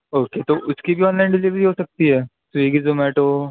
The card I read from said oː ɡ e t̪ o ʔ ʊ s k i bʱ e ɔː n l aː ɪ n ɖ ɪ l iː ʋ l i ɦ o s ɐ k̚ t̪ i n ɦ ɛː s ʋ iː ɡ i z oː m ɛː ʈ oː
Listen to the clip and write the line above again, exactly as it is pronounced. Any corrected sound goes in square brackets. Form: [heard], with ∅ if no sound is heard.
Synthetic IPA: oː [k] e t̪ o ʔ ʊ s k i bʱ [i] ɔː n l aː ɪ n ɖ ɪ l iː ʋ [ɾ] i ɦ o s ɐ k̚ t̪ i [∅] ɦ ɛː s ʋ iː ɡ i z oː m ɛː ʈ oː